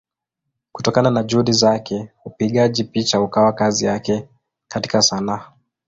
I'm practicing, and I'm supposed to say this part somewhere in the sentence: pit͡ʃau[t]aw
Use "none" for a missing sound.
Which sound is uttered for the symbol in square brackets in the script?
k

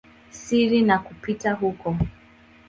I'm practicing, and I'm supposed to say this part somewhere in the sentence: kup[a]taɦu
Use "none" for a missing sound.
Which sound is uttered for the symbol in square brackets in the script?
i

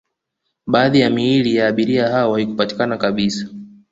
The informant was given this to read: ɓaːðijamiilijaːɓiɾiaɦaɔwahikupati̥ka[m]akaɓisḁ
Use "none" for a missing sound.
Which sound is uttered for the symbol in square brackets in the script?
n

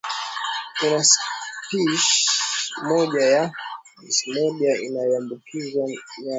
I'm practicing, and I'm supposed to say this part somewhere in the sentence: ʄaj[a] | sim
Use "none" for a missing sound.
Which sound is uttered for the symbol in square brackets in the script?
a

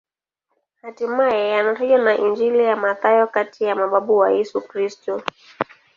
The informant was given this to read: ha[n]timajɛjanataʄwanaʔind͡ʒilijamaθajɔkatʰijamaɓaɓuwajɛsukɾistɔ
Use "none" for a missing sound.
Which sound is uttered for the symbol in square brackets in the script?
none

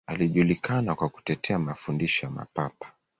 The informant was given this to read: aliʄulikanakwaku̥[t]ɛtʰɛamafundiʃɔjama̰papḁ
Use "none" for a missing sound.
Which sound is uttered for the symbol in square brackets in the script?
t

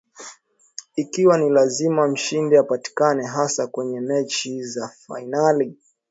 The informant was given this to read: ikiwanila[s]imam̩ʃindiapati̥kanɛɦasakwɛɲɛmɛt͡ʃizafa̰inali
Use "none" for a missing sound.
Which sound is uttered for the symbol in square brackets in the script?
z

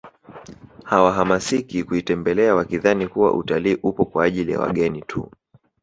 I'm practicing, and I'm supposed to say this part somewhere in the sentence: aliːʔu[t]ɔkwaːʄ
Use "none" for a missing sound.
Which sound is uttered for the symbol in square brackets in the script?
p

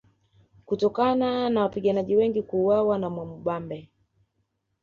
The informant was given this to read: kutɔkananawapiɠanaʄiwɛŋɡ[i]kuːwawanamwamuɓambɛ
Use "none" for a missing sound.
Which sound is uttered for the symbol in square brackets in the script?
i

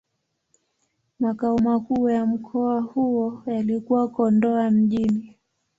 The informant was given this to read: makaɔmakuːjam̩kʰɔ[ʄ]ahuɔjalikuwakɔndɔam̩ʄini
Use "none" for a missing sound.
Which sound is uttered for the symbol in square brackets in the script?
none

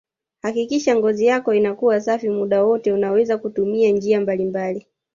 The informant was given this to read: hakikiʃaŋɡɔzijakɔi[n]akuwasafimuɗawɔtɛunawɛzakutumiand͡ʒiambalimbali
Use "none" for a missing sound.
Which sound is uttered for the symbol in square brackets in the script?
n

